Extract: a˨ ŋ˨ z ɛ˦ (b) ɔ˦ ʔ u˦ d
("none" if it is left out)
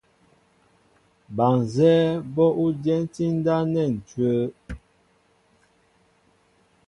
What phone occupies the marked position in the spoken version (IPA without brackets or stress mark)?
b